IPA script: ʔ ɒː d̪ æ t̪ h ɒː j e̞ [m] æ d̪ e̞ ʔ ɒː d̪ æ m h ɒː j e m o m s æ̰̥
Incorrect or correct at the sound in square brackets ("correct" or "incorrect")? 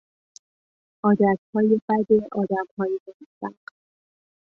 incorrect